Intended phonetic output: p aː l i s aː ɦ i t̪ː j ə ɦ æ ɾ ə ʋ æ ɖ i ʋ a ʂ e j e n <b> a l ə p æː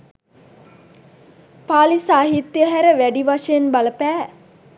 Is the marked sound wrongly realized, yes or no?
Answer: no